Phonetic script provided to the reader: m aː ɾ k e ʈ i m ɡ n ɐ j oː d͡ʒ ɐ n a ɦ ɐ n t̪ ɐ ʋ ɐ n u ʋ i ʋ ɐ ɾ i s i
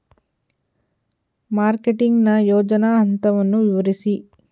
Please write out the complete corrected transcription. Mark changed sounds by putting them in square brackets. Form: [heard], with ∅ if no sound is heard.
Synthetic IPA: m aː ɾ k e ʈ i [ŋ] ɡ n ɐ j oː d͡ʒ ɐ n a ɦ ɐ n t̪ ɐ ʋ ɐ [nː] u ʋ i ʋ ɐ ɾ i s i

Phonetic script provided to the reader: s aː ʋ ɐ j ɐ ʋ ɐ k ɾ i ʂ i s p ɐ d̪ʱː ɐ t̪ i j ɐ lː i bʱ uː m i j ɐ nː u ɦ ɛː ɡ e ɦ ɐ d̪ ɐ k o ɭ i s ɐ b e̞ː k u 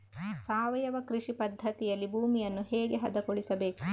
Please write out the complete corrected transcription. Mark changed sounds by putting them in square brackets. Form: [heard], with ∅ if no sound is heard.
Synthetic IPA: s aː ʋ ɐ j ɐ ʋ ɐ k ɾ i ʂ i [∅] p ɐ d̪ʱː ɐ t̪ i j ɐ lː i bʱ uː m i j ɐ nː u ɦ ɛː ɡ e ɦ ɐ d̪ ɐ k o ɭ i s ɐ b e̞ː k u

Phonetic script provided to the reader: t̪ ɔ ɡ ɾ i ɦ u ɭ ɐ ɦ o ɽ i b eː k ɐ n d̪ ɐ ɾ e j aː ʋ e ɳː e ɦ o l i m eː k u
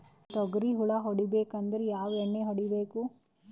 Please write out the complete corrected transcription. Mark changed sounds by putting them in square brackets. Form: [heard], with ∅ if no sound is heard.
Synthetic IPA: t̪ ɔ ɡ ɾ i ɦ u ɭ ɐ ɦ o ɽ i b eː k ɐ n d̪ ɐ ɾ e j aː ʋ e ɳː e ɦ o [ɽ] i [b] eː k u

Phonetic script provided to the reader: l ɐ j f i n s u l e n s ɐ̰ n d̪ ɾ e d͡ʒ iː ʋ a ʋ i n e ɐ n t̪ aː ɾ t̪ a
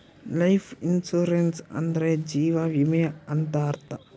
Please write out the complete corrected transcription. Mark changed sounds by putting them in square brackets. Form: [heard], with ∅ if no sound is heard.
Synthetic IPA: l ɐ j f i n s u [ɾ] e n s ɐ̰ n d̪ ɾ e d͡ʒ iː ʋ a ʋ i [m] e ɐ n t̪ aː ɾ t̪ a

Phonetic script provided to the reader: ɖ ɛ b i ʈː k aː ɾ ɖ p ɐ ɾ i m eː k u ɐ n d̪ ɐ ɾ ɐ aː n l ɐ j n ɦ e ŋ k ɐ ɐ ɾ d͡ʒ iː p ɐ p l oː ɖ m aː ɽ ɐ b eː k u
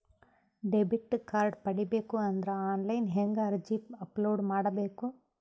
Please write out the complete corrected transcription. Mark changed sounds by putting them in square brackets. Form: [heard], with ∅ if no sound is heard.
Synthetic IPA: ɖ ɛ b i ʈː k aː ɾ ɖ p ɐ [ɽ] i [b] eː k u ɐ n d̪ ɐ ɾ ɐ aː n l ɐ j n ɦ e ŋ [ɡ] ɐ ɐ ɾ d͡ʒ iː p ɐ p l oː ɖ m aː ɽ ɐ b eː k u

